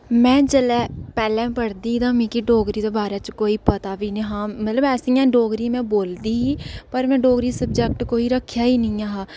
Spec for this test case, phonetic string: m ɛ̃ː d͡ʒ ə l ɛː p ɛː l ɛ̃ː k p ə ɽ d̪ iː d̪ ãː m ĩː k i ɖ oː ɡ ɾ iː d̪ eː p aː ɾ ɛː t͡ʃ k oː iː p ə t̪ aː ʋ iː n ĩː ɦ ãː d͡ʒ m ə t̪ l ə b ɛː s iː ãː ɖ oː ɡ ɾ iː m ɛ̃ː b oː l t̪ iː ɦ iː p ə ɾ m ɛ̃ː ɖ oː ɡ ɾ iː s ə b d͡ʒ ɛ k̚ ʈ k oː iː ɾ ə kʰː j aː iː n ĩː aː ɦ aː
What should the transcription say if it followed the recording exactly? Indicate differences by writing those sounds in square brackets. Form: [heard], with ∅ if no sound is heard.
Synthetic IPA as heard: m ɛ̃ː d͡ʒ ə l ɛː p ɛː l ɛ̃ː [∅] p ə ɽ d̪ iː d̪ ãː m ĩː k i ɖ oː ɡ ɾ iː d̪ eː [b] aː ɾ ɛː t͡ʃ k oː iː p ə t̪ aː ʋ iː n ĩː ɦ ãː [∅] m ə t̪ l ə b ɛː s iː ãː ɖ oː ɡ ɾ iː m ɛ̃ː b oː l [d̪] iː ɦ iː p ə ɾ m ɛ̃ː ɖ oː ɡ ɾ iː s ə b d͡ʒ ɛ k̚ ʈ k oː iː ɾ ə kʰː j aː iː n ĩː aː ɦ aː